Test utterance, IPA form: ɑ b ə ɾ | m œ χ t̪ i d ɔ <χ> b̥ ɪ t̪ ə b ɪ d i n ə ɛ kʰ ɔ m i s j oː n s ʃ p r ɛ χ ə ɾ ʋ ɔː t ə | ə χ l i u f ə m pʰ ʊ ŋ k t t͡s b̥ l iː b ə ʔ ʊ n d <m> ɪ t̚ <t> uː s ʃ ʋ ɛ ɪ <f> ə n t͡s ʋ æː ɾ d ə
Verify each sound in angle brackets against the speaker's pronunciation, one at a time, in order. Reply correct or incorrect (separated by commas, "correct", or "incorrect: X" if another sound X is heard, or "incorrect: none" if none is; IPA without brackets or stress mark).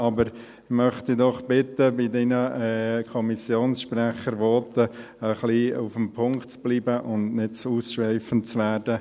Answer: correct, incorrect: n, incorrect: t͡s, correct